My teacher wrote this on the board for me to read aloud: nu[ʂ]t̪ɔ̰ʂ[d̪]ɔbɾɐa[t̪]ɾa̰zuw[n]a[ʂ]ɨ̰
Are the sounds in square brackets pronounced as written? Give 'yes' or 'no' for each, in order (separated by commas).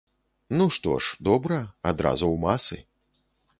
yes, yes, no, no, no